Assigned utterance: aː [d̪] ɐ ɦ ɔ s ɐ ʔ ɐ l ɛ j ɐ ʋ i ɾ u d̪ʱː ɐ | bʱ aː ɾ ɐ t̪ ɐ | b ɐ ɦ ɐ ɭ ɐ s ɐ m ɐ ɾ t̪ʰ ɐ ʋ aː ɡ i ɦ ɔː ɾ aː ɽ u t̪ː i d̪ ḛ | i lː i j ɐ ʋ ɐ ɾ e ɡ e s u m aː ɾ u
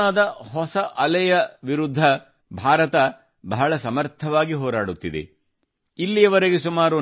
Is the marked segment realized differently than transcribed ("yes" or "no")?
no